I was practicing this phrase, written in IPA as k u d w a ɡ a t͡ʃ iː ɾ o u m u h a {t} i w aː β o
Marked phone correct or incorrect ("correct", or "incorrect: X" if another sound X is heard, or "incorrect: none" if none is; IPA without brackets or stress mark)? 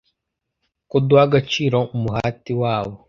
correct